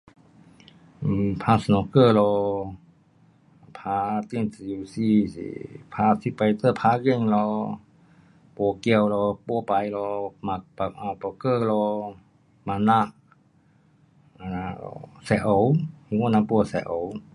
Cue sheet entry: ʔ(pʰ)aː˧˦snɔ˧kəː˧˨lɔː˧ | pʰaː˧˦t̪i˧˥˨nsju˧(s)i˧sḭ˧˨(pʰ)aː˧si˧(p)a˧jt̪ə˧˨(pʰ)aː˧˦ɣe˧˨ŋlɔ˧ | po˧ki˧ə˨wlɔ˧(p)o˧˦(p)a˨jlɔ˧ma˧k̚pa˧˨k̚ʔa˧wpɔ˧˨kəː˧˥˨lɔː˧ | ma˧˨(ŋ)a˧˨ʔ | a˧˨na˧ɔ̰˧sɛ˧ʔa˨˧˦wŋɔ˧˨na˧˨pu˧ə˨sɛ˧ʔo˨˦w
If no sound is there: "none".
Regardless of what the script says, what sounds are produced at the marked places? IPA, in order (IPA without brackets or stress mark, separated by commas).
pʰ, s, pʰ, p, pʰ, p, p, n